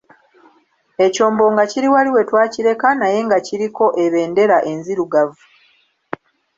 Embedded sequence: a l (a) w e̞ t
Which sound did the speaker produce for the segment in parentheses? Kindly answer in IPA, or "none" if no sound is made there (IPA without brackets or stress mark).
i